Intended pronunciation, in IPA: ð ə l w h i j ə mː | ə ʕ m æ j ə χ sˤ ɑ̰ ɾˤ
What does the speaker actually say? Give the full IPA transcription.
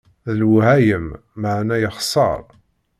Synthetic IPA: ð ə l w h æ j ə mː | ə ʕ n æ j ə χ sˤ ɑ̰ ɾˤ